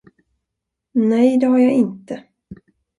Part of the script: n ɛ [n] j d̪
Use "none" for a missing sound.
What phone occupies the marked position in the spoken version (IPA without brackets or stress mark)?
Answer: none